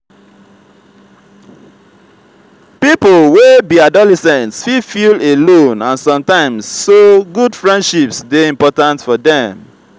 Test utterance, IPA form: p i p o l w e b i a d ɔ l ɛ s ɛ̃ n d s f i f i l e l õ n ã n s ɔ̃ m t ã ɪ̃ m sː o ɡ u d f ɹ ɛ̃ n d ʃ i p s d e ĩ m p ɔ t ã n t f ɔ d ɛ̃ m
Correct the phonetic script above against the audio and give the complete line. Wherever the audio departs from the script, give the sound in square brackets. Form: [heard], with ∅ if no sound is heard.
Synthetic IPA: p i p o l w e b i a d ɔ l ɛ s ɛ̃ n [t] s f i f i l e l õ n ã n s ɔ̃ m t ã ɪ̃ m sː o ɡ u d f ɹ ɛ̃ n d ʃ i p s d e ĩ m p ɔ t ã n t f ɔ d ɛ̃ m